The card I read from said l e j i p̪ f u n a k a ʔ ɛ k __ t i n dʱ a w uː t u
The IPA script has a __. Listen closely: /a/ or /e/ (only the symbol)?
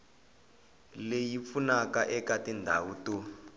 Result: a